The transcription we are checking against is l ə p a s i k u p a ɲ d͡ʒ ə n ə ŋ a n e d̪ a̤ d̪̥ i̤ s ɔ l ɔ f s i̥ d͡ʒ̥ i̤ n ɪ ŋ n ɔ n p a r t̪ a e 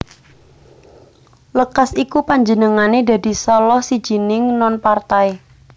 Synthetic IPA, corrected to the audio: l ə k a s i k u p a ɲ d͡ʒ ə n ə ŋ a n e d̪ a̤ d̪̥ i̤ s ɔ l ɔ h s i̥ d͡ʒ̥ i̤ n ɪ ŋ n ɔ n p a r t̪ a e